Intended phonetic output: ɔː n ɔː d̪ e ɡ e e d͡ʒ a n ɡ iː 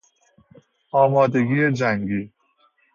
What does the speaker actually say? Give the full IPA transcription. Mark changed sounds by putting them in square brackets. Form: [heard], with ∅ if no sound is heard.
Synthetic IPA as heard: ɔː [m] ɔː d̪ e ɡ [i] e d͡ʒ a [ŋ] ɡ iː